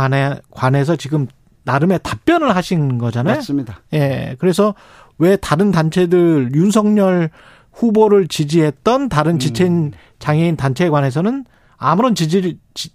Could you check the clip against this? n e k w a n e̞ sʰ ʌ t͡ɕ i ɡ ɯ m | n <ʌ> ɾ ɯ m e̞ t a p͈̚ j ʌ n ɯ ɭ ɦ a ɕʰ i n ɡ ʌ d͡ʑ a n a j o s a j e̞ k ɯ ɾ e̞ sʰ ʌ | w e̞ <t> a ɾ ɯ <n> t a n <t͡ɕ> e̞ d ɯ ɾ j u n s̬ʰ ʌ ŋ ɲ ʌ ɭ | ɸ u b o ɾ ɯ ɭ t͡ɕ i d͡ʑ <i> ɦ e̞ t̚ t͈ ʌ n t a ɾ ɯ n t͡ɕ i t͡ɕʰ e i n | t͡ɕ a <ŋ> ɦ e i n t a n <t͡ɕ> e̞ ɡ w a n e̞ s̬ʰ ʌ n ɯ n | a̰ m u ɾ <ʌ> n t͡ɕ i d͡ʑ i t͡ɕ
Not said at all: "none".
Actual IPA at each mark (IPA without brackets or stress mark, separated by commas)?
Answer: a, t, n, t͡ɕʰ, i, ŋ, t͡ɕʰ, ʌ